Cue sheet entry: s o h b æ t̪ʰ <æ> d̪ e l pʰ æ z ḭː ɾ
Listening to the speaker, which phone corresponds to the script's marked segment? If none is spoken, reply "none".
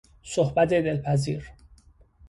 e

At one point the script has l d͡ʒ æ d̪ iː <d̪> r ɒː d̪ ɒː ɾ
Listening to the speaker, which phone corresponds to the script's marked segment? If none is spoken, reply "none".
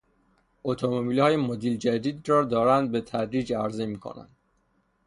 d̪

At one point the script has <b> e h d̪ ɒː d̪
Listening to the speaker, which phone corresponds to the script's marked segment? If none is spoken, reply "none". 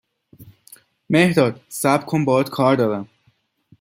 m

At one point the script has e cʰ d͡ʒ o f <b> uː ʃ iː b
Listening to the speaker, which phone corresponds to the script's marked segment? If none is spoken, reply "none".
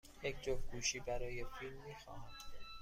ɡ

